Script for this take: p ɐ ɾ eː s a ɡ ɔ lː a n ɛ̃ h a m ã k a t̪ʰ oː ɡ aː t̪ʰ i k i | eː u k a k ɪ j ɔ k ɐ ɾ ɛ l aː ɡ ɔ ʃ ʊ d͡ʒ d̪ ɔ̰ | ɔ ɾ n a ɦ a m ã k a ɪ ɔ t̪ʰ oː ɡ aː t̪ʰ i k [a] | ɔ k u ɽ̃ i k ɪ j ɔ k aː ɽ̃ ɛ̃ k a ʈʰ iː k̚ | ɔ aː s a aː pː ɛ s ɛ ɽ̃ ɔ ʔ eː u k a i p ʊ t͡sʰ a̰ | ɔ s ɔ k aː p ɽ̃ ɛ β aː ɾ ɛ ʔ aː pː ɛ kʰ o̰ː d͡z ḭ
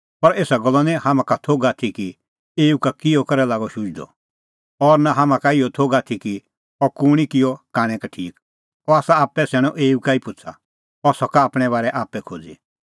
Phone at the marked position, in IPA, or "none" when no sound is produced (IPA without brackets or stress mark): i